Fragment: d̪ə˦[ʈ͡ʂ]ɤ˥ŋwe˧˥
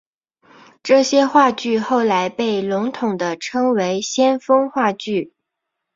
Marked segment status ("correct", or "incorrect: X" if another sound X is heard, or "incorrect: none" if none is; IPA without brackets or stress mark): incorrect: ʈ͡ʂʰ